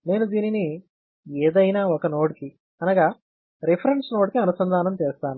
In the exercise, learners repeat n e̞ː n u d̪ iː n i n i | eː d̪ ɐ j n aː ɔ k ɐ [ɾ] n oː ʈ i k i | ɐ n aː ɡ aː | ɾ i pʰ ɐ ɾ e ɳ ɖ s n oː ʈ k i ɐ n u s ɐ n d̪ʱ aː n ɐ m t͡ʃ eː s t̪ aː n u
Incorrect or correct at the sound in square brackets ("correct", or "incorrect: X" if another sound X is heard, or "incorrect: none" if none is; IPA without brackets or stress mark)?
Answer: incorrect: none